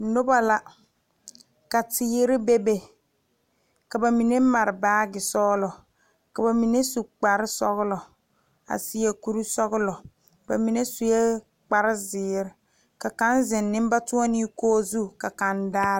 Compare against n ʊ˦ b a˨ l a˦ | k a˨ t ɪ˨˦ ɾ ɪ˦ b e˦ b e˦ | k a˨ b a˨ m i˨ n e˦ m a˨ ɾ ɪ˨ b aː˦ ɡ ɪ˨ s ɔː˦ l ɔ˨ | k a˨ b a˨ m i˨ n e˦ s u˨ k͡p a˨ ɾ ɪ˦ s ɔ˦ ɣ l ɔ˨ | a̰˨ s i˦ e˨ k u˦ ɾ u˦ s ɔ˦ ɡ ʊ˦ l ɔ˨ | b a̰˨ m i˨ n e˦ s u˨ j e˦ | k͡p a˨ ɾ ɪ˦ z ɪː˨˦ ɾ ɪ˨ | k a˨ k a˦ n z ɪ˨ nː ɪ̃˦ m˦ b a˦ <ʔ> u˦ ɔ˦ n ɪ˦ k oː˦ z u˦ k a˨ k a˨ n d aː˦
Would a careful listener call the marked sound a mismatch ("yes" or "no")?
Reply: yes